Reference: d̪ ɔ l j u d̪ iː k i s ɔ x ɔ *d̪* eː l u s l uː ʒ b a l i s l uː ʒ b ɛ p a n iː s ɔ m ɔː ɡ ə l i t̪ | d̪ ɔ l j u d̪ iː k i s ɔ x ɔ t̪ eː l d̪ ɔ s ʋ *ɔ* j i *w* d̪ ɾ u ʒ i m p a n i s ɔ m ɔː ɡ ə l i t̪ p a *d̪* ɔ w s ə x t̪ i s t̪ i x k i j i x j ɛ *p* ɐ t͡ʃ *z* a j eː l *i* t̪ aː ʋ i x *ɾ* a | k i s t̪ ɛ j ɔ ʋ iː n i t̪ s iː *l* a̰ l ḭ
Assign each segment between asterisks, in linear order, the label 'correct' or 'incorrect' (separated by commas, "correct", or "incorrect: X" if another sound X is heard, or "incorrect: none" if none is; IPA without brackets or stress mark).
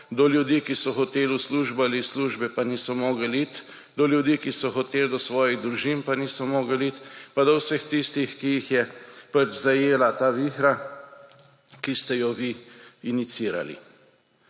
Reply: incorrect: t̪, incorrect: ɔː, incorrect: ɣ, correct, correct, correct, incorrect: a, correct, incorrect: ɾ